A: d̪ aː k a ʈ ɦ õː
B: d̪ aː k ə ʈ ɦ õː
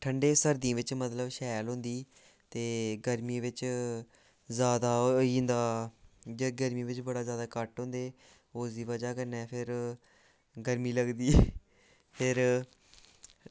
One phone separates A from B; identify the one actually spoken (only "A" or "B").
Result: B